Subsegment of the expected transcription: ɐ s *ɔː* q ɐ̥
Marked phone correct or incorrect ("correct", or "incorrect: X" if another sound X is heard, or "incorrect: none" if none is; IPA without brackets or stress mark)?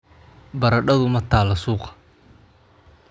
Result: incorrect: uː